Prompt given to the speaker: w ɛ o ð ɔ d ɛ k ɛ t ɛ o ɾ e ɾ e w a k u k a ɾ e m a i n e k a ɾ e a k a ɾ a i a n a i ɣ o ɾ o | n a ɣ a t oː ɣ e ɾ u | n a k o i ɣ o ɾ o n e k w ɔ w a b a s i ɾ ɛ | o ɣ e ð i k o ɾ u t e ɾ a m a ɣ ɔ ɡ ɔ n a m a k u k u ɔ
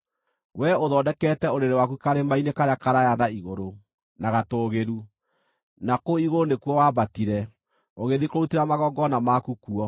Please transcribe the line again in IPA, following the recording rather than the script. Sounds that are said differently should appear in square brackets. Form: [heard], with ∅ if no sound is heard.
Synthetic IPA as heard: w ɛ o ð ɔ d ɛ k ɛ t ɛ o ɾ e ɾ e w a k u k a ɾ e m a i n e k a ɾ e a k a ɾ a [j] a n a i ɣ o ɾ o | n a ɣ a t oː ɣ e ɾ u | n a k o i ɣ o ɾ o n e k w ɔ w a b a [t] i ɾ ɛ | o ɣ e ð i k o ɾ u t e ɾ a m a ɣ ɔ ɡ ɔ n a m a k u k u ɔ